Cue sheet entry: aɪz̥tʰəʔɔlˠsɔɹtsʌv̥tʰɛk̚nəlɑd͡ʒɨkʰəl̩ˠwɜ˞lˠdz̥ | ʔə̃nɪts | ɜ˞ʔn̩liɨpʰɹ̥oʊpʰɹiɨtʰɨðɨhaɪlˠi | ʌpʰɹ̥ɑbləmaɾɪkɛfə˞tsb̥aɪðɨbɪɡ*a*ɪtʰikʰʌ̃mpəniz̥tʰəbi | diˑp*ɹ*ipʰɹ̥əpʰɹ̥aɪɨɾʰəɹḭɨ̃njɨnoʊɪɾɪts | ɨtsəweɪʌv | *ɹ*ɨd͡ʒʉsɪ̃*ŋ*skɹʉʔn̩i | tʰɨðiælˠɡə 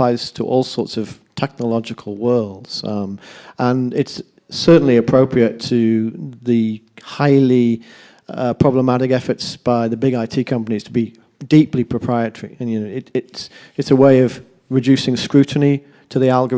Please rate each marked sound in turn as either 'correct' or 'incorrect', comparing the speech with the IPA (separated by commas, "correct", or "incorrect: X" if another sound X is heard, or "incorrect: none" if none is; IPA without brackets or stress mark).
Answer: correct, incorrect: l, correct, correct